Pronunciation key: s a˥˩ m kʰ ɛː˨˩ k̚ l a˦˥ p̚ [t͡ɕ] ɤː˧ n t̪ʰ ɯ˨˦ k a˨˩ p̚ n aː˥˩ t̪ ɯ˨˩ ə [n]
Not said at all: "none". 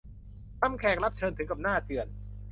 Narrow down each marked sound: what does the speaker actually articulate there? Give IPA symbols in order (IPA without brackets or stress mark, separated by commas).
t͡ɕʰ, n